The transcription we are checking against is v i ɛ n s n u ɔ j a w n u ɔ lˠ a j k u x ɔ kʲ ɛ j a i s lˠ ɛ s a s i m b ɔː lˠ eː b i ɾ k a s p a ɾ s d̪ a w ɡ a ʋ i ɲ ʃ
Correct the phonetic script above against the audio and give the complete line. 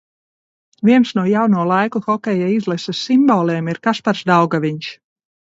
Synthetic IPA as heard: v i ɛ n s n u ɔ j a w n u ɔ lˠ a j k u x ɔ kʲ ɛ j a i z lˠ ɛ s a s i m b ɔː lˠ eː m i ɾ k a s p a ɾ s d̪ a w ɡ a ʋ i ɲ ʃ